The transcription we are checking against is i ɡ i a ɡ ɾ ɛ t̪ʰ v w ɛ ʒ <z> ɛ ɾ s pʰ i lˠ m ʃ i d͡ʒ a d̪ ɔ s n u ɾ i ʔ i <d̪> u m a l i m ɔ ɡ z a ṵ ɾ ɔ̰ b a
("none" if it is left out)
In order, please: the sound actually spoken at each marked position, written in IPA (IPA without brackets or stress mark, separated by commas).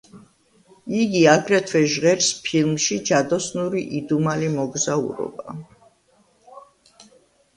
ʁ, d̪